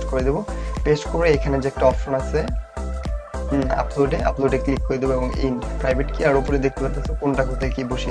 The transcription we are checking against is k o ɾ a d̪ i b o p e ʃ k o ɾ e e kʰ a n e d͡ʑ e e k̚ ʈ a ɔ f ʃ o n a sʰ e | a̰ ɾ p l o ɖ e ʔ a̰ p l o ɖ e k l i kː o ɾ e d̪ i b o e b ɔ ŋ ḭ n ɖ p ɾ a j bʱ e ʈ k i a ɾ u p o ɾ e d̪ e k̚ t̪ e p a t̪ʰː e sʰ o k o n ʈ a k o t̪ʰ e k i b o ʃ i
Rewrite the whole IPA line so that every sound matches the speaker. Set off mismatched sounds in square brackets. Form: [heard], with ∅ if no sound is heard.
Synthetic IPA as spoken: k o ɾ [e] d̪ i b o p e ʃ k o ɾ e e kʰ a n e d͡ʑ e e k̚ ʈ a ɔ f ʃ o n a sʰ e | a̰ [∅] p l o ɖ e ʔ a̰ p l o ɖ e k l i kː o ɾ e d̪ i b o e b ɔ ŋ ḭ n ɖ p ɾ a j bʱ e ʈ k i a ɾ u p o ɾ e d̪ e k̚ t̪ e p a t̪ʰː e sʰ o k o n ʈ a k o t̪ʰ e k i b o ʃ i